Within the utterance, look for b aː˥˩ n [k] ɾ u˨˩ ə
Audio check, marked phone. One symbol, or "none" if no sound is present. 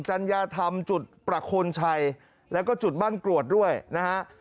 k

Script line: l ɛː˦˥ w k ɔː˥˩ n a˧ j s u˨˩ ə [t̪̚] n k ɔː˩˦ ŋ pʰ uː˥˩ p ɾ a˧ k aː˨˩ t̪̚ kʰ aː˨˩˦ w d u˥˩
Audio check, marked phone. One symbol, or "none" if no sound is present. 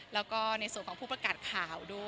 none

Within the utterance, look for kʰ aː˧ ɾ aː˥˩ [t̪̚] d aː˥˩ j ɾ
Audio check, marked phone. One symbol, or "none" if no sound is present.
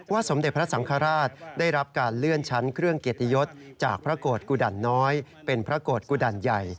t̪̚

